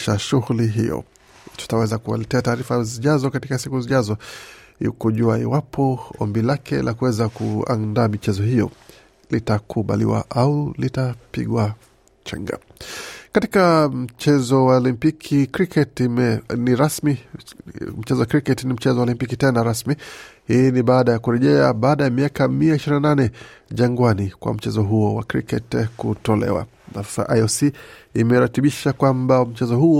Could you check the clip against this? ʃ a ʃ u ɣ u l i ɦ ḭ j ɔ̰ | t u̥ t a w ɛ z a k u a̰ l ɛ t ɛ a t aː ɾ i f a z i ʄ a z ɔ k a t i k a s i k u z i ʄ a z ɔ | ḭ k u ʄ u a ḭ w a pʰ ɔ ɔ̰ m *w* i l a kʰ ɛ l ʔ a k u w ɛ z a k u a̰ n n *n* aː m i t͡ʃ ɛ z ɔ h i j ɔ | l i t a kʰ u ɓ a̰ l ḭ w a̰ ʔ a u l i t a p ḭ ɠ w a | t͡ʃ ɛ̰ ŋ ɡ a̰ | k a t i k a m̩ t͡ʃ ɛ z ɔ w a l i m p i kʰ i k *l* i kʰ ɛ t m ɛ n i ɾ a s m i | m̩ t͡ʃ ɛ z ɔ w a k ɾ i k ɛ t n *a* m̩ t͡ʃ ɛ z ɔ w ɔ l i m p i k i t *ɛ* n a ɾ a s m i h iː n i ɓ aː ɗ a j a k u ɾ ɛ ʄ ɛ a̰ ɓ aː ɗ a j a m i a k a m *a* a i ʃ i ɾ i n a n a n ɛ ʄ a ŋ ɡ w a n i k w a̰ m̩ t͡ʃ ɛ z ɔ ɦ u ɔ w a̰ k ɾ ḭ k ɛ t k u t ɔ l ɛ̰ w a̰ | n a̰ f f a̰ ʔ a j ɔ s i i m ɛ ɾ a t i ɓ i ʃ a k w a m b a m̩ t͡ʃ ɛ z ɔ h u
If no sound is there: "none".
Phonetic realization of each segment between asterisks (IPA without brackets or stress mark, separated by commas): b, d, ɾ, i, ɛ, i